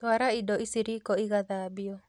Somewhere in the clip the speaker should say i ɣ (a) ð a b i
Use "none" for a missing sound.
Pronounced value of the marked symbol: a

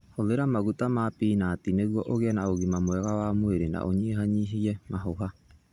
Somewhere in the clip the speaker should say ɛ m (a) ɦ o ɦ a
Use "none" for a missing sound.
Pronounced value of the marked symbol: a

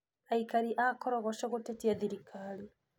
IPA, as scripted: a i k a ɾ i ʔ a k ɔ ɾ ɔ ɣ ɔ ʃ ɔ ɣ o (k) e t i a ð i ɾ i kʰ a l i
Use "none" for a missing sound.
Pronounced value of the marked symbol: t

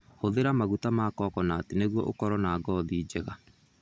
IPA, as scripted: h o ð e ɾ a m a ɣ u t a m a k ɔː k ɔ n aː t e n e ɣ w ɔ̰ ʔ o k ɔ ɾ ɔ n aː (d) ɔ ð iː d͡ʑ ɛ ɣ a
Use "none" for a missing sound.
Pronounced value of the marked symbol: ɡ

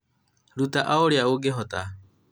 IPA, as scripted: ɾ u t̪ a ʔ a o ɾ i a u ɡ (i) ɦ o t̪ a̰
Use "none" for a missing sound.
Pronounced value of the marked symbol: e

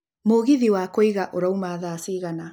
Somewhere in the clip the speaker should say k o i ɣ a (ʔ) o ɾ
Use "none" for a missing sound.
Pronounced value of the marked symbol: ʔ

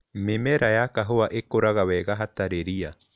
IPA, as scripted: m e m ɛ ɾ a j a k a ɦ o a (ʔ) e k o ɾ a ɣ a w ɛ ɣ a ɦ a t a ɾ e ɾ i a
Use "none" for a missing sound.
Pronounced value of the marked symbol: ʔ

